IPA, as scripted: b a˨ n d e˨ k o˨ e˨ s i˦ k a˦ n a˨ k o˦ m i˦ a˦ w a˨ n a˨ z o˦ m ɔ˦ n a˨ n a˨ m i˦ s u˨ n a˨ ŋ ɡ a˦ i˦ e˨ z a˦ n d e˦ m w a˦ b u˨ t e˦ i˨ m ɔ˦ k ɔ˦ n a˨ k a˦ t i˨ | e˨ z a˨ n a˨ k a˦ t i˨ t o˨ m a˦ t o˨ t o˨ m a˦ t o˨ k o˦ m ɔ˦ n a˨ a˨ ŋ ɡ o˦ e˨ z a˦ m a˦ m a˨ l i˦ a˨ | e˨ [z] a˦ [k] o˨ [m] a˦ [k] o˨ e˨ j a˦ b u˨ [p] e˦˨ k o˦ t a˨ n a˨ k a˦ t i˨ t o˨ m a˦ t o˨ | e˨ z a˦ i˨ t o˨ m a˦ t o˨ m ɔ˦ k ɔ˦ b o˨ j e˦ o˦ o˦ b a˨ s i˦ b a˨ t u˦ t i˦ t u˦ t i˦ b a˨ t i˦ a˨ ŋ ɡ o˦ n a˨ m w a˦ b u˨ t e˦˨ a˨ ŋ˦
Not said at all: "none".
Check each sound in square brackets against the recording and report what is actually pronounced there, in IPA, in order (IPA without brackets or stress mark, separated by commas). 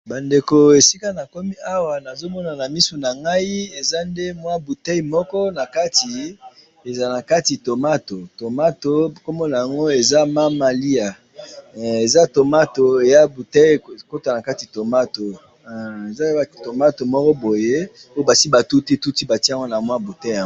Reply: z, t, m, t, t